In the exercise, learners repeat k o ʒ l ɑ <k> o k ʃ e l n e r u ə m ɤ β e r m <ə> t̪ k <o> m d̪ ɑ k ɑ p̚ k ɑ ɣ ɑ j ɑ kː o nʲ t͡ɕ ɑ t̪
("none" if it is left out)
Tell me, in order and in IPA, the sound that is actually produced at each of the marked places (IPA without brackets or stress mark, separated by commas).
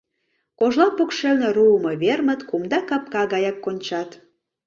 p, ə, u